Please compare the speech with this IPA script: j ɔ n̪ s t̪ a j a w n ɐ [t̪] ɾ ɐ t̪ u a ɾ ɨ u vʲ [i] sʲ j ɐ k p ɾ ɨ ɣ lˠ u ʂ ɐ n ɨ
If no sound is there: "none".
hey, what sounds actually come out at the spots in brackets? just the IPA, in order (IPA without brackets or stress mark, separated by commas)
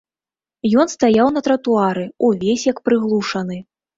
t̪, e